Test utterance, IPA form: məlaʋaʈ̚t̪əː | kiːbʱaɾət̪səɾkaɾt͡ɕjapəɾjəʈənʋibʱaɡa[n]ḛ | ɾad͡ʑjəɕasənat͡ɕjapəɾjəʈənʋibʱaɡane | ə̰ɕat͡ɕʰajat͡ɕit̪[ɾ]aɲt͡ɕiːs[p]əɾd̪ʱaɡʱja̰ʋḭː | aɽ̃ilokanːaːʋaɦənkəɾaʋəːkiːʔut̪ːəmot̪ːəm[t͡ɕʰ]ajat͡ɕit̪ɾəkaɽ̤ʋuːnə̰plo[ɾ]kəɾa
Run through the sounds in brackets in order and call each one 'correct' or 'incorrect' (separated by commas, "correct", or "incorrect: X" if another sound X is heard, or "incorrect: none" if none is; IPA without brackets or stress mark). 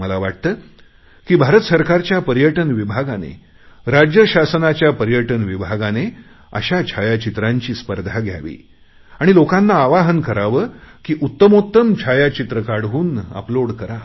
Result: correct, correct, correct, correct, incorrect: ɽ